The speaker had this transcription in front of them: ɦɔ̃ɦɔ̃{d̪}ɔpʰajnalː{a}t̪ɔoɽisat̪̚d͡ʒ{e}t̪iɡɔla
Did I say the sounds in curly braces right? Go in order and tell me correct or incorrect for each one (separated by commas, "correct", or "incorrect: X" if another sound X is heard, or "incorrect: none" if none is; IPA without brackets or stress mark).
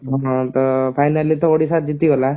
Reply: incorrect: t̪, incorrect: i, incorrect: i